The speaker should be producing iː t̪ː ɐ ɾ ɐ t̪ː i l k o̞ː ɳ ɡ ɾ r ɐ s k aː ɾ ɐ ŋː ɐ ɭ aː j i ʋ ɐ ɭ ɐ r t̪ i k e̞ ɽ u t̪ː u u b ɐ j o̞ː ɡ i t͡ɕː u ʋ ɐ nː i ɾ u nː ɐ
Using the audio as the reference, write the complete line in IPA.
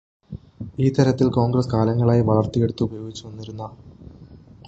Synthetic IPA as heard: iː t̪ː ɐ ɾ ɐ t̪ː i l k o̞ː ŋ ɡ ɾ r ɐ s k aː l ɐ ŋː ɐ ɭ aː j i ʋ ɐ ɭ ɐ r t̪ i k e̞ ɽ u t̪ː u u b ɐ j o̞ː ɡ i t͡ɕː u ʋ ɐ nː i ɾ u nː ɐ